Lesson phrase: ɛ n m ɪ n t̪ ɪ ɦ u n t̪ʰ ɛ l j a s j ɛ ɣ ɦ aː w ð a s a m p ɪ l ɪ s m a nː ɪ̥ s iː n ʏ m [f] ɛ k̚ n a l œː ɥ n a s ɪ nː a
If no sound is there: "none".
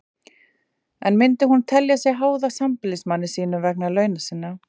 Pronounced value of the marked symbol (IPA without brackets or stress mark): v